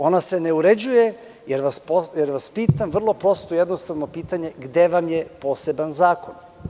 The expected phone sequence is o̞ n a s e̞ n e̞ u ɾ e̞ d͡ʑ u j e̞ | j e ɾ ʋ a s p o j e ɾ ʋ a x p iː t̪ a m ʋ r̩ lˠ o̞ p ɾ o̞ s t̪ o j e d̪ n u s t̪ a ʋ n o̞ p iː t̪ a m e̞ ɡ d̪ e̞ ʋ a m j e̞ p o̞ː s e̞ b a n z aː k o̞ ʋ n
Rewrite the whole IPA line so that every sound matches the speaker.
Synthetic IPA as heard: o̞ n a s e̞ n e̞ u ɾ e̞ d͡ʑ u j e̞ | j e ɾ ʋ a s p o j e ɾ ʋ a s p iː t̪ a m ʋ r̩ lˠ o̞ p ɾ o̞ s t̪ o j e d̪ n o s t̪ a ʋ n o̞ p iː t̪ a ɲ e̞ ɡ d̪ e̞ ʋ a m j e̞ p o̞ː s e̞ b a n z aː k o̞ n